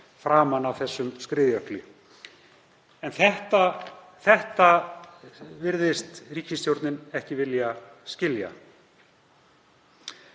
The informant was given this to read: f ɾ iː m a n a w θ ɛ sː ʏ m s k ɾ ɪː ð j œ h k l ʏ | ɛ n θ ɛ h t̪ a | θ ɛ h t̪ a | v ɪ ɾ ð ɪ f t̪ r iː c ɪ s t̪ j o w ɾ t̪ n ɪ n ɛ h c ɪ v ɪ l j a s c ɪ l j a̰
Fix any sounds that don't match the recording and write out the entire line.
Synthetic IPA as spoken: f ɾ aː m a n a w θ ɛ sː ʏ m s k ɾ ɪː ð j œ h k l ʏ | ɛ n θ ɛ h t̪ a | θ ɛ h t̪ a | v ɪ ɾ ð ɪ s t̪ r iː c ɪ s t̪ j o w ɾ t̪ n ɪ n ɛ h c ɪ v ɪ l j a s c ɪ l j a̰